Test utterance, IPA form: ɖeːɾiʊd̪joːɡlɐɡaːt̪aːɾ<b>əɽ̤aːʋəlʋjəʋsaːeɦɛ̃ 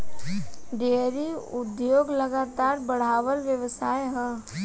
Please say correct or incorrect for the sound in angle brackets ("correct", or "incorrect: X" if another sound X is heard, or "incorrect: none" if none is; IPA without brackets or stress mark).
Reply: correct